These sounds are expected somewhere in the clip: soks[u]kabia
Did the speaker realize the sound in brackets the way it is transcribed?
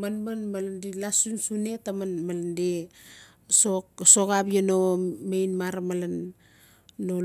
no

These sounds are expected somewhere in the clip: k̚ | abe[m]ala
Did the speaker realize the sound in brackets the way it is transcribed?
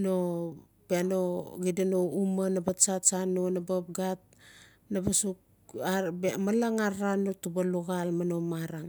yes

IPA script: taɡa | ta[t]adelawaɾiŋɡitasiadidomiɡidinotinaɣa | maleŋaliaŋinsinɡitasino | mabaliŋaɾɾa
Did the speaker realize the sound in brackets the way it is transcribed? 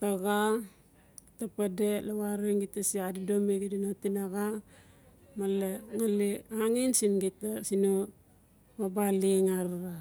no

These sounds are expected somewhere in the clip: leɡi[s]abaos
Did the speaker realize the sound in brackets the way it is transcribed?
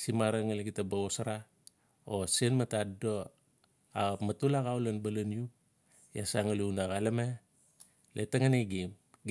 no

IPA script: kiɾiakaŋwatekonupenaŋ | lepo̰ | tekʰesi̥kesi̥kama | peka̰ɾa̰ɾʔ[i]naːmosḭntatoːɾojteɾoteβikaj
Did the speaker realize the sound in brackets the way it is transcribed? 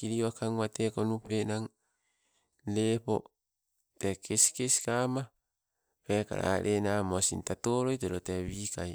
no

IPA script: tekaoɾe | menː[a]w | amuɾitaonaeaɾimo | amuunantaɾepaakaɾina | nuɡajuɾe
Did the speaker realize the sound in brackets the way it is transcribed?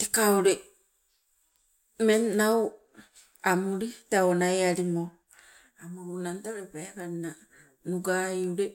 yes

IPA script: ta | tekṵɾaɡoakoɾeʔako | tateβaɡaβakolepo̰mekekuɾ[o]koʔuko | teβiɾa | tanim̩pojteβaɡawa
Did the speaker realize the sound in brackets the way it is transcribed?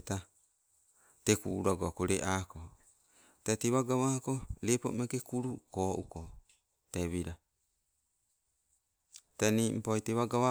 no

